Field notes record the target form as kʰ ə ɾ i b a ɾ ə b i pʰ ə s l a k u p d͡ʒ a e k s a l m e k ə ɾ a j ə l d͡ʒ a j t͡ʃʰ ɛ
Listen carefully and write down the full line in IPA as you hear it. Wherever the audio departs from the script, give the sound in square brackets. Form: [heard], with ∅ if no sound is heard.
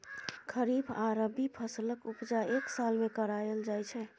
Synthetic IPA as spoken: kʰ ə ɾ i b a ɾ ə b i pʰ ə s l [ə] k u p d͡ʒ a e k s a l m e k ə ɾ a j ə l d͡ʒ a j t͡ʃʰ ɛ